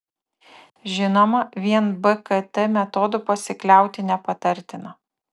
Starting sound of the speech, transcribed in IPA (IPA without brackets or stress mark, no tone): ʒʲ